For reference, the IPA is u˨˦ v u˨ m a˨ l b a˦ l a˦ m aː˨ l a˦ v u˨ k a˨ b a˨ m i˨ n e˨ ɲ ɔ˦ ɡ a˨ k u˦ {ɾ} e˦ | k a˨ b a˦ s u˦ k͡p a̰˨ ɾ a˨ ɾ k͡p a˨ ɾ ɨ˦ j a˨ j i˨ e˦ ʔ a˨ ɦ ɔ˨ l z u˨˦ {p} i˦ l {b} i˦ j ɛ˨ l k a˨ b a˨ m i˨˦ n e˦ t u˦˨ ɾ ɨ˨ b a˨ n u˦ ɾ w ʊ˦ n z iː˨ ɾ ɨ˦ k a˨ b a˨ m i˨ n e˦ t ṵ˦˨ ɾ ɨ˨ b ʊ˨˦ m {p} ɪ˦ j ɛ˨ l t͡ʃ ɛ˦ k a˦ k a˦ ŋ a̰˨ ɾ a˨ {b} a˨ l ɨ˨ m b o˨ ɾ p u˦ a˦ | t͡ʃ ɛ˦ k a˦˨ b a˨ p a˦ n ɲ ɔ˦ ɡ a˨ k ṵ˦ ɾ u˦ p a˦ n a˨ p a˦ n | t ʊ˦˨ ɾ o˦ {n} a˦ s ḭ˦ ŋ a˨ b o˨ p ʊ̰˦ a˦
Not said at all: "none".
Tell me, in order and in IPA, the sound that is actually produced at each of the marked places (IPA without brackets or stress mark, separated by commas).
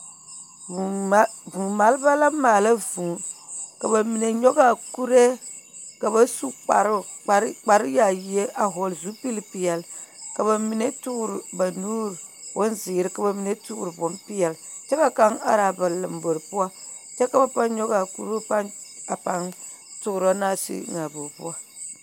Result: ɾ, p, p, p, b, n